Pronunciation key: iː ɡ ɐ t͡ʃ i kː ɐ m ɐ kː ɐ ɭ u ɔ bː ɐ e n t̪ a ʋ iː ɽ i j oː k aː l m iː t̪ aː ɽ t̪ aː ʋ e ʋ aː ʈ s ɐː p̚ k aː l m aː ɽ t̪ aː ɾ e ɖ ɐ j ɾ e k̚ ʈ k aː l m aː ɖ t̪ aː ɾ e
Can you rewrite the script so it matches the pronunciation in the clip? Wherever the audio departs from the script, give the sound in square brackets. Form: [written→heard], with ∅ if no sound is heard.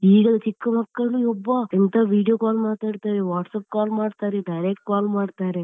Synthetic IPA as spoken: iː ɡ ɐ t͡ʃ i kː ɐ m ɐ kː ɐ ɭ u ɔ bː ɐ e n t̪ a ʋ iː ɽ i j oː k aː l m [iː→aː] t̪ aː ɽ t̪ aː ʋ e ʋ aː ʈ s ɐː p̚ k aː l m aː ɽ t̪ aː ɾ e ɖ ɐ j ɾ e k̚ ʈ k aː l m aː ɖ t̪ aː ɾ e